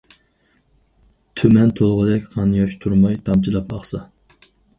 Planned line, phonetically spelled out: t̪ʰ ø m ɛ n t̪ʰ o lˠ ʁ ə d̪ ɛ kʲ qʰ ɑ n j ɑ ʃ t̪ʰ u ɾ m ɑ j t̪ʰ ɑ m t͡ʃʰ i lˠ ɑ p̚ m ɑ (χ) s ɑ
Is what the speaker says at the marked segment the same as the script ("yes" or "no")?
yes